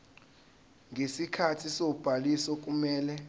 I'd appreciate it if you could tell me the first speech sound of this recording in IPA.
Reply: ŋ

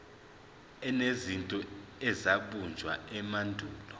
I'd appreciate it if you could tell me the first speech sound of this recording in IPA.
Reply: ɛ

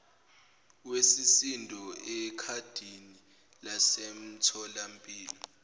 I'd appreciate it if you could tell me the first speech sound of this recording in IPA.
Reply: w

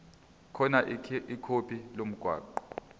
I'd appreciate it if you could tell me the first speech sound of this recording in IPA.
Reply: kʰ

